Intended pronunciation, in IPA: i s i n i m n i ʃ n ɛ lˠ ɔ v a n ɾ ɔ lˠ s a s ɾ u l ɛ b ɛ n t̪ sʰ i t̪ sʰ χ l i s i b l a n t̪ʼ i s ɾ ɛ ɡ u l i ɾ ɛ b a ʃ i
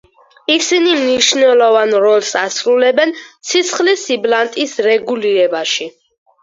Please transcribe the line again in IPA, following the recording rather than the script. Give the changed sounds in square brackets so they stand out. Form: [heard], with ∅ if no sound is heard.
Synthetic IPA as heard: i s i n i m n i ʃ n ɛ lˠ ɔ v a n ɾ ɔ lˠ s a s ɾ u l ɛ b ɛ n t̪ sʰ i t̪ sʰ χ l i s i b l a n t̪ʼ i s ɾ ɛ ɡ u l i ɾ ɛ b a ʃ i